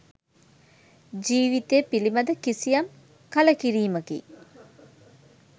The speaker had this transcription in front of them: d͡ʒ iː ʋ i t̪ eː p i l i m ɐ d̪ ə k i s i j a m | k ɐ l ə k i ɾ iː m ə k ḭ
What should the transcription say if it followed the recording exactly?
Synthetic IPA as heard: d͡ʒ iː ʋ i t̪ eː p i l i m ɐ d̪ ə k i s i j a m | k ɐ l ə k i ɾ iː m ə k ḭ

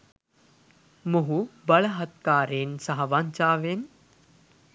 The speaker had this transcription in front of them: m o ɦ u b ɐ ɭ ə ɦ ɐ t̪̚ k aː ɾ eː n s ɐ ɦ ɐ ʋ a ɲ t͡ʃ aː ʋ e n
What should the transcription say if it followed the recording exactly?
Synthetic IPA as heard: m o ɦ u b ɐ ɭ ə ɦ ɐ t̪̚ k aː ɾ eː n s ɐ ɦ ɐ ʋ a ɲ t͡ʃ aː ʋ e n

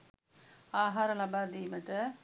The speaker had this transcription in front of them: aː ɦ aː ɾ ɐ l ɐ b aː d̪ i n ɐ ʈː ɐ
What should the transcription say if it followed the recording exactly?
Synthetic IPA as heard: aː ɦ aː ɾ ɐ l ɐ b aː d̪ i m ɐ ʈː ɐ

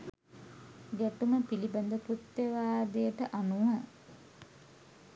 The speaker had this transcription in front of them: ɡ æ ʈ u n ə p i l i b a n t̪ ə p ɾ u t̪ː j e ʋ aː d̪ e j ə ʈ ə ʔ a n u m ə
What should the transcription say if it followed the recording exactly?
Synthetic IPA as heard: ɡ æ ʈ u m ə p i l i b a n d̪ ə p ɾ u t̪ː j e ʋ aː d̪ e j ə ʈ ə ʔ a n u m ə

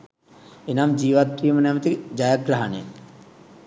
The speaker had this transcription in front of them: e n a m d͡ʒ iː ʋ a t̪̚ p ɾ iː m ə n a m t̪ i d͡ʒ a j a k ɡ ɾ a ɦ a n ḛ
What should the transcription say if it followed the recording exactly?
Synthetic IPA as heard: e n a m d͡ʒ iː ʋ a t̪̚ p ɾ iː m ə n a m t̪ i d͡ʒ a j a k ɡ ɾ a ɦ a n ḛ

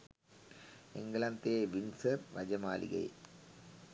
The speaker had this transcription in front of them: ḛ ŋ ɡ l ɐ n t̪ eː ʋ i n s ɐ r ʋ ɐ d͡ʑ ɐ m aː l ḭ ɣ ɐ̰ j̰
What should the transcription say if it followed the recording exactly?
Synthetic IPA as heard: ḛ ŋ ɡ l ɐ n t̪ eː ʋ i n s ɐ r ʋ ɐ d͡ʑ ɐ m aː l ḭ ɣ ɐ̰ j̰

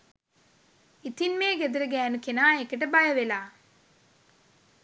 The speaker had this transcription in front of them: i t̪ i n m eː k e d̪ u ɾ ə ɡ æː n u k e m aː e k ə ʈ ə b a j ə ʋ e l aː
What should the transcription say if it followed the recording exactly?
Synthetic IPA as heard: i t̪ i n m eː ɡ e d̪ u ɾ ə ɡ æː n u k e n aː e k ə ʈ ə b a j ə ʋ e l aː

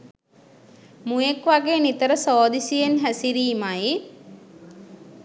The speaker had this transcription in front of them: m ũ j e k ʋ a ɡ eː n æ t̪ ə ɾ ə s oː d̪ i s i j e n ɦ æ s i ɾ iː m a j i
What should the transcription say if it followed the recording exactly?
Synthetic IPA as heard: m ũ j e k ʋ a ɡ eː n i t̪ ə ɾ ə s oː d̪ i s i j e n ɦ æ s i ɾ iː m a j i

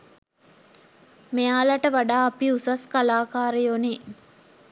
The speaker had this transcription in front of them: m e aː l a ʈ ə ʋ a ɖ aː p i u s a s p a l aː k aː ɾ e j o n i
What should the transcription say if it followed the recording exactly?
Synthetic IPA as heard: m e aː l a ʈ ə ʋ a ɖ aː p i u s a s k a l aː k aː ɾ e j o n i

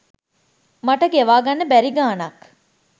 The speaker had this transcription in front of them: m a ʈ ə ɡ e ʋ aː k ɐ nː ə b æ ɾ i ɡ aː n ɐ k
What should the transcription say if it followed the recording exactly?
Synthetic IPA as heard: m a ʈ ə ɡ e ʋ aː ɡ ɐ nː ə b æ ɾ i ɡ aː n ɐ k

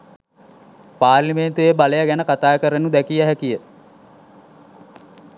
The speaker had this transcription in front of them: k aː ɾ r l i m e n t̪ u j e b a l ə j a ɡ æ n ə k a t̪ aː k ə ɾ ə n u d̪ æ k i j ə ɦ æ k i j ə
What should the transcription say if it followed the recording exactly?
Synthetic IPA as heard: p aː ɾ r l i m e n t̪ u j e b a l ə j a ɡ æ n ə k a t̪ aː k ə ɾ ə n u d̪ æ k i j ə ɦ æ k i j ə

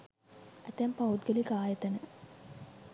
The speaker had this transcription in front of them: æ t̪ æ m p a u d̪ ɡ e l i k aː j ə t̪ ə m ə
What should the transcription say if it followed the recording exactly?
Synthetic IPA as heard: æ t̪ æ m p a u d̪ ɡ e l i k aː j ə t̪ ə n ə

